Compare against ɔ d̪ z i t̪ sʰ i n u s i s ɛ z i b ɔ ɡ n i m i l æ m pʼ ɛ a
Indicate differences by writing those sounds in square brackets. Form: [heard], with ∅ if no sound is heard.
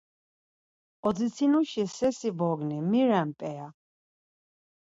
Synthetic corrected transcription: ɔ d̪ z i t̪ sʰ i n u [ʃ] i s ɛ [s] i b ɔ ɡ n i m i [ɾ] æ m pʼ ɛ a

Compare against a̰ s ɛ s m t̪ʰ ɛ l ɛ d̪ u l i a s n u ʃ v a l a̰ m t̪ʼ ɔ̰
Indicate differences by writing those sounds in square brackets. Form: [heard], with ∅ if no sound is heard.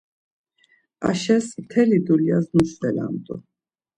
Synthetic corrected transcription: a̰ [ʃ] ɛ s m t̪ʰ ɛ l [i] d̪ u l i a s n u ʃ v [ɛ] l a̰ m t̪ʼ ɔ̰

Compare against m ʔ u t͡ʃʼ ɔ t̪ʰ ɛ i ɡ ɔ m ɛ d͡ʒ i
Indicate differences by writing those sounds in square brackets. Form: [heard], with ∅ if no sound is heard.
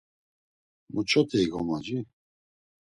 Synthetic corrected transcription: m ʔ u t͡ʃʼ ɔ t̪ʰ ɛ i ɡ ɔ m [a] d͡ʒ i

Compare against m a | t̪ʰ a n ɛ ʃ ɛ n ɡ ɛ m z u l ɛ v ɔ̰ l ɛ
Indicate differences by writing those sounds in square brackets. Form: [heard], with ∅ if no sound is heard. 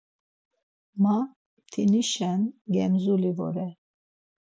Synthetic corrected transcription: m a | t̪ʰ [i] n [i] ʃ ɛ n ɡ ɛ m z u l [i] v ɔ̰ [ɾ] ɛ

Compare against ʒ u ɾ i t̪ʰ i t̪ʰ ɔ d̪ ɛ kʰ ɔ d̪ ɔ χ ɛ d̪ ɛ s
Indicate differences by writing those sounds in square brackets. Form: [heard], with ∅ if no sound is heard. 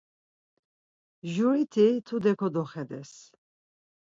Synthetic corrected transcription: ʒ u ɾ i t̪ʰ i t̪ʰ [u] d̪ ɛ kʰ ɔ d̪ ɔ χ ɛ d̪ ɛ s

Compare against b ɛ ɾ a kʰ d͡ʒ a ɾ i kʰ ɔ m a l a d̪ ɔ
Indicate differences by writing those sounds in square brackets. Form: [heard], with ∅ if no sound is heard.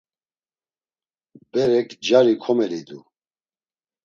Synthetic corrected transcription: b ɛ ɾ [ɛ] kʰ d͡ʒ a ɾ i kʰ ɔ m [ɛ] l [i] d̪ [u]

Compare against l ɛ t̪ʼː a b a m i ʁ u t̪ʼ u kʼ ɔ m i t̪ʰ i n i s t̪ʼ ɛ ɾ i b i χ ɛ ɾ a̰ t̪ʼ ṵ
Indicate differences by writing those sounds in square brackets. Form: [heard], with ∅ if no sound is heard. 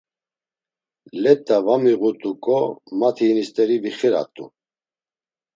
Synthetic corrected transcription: l ɛ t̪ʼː a [v] a m i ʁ u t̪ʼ u kʼ ɔ m [a] t̪ʰ i n i s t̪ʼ ɛ ɾ i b i χ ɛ ɾ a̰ t̪ʼ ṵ

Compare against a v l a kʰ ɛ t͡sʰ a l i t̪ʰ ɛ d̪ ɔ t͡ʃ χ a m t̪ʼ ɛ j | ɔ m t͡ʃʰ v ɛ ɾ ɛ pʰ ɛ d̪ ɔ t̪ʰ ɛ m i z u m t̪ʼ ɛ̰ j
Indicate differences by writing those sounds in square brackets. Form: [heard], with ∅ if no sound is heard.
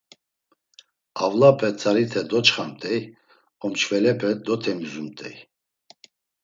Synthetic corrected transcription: a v l a [pʰ] ɛ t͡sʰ a [ɾ] i t̪ʰ ɛ d̪ ɔ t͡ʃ χ a m t̪ʼ ɛ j | ɔ m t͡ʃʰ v ɛ [l] ɛ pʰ ɛ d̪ ɔ t̪ʰ ɛ m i z u m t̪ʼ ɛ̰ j

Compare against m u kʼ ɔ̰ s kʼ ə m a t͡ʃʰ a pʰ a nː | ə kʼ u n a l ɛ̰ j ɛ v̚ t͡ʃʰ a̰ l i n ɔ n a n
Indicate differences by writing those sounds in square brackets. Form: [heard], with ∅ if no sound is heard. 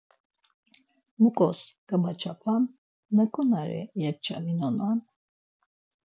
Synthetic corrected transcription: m u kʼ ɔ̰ s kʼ ə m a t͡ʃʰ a pʰ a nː | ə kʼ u n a [ɾ] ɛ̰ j ɛ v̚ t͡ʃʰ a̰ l i n ɔ n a n

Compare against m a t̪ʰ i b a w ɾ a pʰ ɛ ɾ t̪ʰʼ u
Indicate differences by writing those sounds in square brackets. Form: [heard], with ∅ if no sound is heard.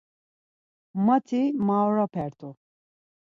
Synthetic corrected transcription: m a t̪ʰ i [m] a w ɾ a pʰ ɛ ɾ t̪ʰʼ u

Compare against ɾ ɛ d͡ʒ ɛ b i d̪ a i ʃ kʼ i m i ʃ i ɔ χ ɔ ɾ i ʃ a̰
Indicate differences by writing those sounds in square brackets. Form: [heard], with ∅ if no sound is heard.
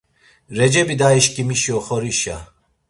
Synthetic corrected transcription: ɾ ɛ d͡ʒ ɛ b i d̪ a i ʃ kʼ i m i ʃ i ɔ χ ɔ ɾ i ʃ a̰

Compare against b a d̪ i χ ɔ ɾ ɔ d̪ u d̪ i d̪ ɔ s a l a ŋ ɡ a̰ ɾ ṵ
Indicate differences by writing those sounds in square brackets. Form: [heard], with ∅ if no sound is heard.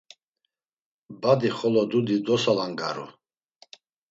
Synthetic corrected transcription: b a d̪ i χ ɔ [l] ɔ d̪ u d̪ i d̪ ɔ s a l a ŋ ɡ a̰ ɾ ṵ

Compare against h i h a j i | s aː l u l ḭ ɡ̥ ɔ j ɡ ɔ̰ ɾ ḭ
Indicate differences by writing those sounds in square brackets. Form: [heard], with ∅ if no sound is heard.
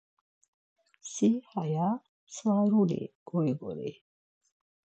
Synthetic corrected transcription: [s] i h a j [a] | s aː [ɾ] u l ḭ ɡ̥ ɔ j ɡ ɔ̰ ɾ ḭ

